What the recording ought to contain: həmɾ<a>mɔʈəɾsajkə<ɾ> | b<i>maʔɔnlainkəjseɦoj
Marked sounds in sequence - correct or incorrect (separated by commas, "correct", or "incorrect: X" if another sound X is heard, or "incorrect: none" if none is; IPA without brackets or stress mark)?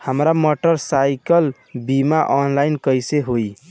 correct, incorrect: l, correct